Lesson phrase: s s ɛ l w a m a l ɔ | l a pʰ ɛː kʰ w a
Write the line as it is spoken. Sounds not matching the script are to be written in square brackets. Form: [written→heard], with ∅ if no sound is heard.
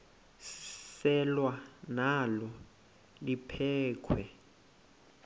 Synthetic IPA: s s ɛ l w a [m→n] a l ɔ | l [a→i] pʰ ɛː kʰ w [a→ɛ]